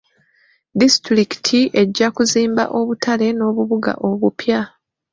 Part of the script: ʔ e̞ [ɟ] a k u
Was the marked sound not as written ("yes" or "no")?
yes